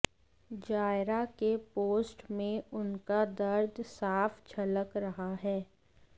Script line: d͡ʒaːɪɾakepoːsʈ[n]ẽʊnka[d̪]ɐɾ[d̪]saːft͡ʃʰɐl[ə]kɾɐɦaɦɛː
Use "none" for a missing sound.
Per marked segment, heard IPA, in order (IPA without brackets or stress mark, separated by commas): m, d̪, d̪, ə